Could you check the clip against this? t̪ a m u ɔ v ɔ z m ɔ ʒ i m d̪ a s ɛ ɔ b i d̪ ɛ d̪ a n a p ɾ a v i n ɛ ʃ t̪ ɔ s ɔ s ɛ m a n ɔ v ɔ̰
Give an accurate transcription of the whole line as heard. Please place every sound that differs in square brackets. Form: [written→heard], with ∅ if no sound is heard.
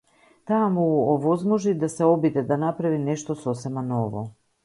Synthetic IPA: t̪ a m u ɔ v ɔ z m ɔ ʒ i [m→∅] d̪ a s ɛ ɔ b i d̪ ɛ d̪ a n a p ɾ a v i n ɛ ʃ t̪ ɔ s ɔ s ɛ m a n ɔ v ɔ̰